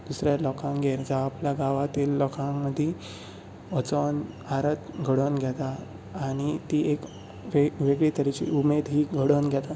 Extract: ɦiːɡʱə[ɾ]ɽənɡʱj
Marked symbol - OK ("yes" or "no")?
no